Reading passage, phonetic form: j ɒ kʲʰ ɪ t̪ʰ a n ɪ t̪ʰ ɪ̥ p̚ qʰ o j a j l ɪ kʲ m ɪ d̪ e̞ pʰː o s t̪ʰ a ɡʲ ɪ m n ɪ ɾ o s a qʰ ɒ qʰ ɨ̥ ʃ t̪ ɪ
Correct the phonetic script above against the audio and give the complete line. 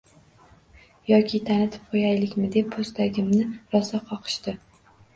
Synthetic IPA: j ɒ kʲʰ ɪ t̪ʰ a n ɪ t̪ʰ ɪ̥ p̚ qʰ o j a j l ɪ kʲ m ɪ d̪ e̞ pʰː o s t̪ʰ a ɡʲ ɪ m n ɪ ɾ ɒ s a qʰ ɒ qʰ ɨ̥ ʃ t̪ ɪ